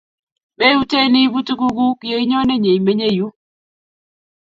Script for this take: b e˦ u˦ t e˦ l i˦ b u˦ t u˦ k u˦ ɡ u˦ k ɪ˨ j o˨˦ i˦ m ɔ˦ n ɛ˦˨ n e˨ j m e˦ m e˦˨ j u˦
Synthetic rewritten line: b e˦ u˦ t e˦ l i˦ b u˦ t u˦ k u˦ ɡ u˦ k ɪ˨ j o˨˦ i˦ ɲ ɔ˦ n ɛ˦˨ ɲ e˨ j m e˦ ɲ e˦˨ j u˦